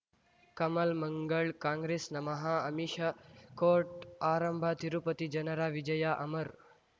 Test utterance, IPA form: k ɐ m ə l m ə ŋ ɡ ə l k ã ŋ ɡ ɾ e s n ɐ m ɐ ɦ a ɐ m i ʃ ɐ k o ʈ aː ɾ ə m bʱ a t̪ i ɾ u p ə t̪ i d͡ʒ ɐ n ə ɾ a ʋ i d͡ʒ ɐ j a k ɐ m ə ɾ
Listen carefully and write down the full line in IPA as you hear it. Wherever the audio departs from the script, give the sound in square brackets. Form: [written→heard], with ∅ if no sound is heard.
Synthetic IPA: k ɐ m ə l m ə ŋ ɡ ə [l→ɭ] k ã ŋ ɡ ɾ e s n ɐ m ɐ ɦ a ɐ m i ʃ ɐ k o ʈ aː ɾ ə m bʱ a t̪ i ɾ u p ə t̪ i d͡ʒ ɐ n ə ɾ a ʋ i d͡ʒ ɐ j a [k→ʔ] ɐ m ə ɾ